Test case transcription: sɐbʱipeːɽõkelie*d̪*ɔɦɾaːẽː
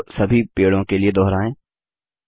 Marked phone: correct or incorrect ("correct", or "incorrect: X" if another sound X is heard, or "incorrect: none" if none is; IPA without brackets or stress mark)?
correct